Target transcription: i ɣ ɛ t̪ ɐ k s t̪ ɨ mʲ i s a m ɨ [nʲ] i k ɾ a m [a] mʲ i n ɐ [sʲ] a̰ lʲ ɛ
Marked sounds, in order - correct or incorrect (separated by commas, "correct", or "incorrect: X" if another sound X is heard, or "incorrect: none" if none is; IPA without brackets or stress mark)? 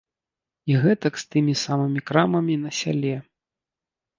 incorrect: mʲ, incorrect: ɐ, correct